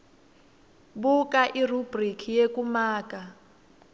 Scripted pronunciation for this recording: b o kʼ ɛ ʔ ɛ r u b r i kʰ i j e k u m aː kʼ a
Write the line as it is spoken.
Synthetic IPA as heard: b u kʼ a ʔ i r u b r i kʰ i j e k u m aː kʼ a